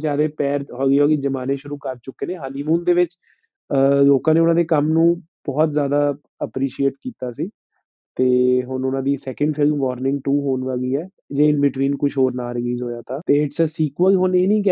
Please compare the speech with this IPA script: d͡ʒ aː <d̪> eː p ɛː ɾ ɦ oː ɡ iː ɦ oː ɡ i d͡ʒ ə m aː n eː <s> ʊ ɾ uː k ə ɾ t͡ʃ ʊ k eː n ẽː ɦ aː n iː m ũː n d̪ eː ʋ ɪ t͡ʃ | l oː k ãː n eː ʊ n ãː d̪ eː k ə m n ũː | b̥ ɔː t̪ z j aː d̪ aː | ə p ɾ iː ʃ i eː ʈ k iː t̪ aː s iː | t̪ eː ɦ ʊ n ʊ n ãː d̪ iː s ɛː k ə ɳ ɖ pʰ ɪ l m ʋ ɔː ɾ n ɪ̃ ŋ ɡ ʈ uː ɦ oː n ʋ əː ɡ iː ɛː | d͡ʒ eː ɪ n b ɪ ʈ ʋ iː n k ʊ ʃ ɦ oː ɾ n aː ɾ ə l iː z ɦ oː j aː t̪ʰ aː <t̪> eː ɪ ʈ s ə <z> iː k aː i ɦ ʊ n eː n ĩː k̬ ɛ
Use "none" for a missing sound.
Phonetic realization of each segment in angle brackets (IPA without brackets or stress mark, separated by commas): d̪, ʃ, t̪, s